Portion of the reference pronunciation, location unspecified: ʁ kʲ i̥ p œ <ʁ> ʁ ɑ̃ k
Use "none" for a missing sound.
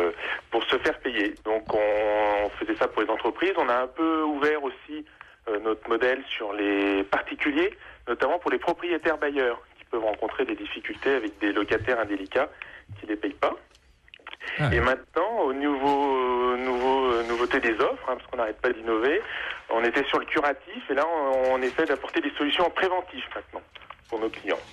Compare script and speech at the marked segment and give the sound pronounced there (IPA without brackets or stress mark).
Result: v